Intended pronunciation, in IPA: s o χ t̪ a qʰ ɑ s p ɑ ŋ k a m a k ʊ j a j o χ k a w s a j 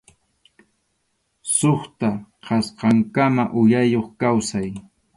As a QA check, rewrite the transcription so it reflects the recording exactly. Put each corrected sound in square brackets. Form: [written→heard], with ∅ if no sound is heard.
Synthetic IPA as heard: s o χ t̪ a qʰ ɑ s [p→q] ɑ ŋ k a m a [k→ʔ] ʊ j a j o χ k a w s a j